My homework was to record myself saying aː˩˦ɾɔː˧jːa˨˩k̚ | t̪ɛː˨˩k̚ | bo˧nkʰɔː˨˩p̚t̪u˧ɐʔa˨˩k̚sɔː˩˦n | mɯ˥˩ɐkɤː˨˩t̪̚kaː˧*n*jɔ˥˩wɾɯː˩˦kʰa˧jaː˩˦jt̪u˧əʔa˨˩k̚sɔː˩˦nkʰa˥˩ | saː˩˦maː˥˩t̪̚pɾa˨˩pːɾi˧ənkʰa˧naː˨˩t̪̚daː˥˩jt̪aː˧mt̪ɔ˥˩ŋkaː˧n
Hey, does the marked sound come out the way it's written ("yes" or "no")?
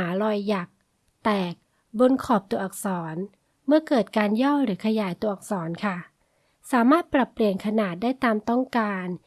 yes